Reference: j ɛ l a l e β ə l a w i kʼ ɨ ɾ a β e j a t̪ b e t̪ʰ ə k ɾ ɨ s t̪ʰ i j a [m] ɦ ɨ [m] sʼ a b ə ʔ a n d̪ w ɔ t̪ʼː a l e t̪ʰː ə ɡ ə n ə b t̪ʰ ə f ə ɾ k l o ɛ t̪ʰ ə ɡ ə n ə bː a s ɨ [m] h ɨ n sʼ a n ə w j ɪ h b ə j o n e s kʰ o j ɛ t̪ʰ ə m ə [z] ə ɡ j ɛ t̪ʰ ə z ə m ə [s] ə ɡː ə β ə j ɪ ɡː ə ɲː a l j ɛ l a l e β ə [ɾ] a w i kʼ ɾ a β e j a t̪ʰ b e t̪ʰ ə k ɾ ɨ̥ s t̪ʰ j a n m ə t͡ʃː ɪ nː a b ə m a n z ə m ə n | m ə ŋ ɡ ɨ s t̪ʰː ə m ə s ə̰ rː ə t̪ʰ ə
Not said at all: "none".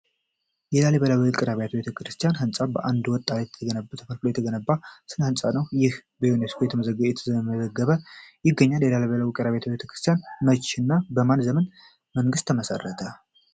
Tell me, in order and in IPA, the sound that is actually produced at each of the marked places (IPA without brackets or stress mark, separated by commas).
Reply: n, n, n, z, z, l